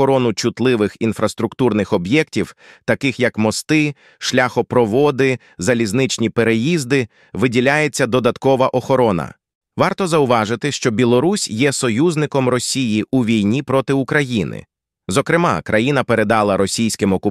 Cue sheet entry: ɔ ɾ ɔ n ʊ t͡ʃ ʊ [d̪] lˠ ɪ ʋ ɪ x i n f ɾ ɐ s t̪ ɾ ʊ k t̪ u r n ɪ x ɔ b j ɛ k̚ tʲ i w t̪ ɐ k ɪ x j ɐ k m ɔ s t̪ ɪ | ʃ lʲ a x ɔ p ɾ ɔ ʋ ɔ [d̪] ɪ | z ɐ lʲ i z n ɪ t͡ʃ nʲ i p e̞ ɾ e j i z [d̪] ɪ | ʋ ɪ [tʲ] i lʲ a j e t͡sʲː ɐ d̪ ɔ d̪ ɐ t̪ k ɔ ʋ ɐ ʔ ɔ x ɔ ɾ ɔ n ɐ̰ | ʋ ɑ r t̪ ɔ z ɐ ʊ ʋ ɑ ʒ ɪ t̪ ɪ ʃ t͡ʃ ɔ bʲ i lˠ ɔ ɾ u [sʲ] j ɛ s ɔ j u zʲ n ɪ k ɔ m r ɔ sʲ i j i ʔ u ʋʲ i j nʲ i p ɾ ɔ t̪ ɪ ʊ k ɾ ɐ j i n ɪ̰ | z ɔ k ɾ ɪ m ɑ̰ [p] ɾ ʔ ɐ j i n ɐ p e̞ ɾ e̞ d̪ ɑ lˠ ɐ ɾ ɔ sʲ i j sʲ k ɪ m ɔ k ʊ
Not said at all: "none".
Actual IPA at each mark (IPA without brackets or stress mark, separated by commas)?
t̪, d̪, d̪, dʲ, sʲ, k